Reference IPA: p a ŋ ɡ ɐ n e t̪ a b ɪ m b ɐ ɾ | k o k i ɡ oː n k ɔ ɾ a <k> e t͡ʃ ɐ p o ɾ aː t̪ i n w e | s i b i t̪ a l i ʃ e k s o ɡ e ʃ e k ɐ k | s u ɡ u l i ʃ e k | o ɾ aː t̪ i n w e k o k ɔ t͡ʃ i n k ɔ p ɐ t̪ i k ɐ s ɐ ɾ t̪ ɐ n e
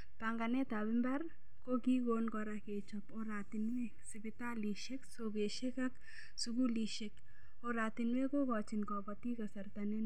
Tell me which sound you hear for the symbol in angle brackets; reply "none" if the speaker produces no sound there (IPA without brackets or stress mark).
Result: k